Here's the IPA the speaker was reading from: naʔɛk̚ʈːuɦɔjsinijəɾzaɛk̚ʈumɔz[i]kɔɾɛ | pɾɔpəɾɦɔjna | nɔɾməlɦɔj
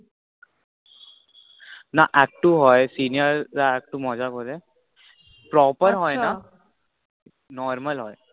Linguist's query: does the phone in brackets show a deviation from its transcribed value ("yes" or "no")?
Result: yes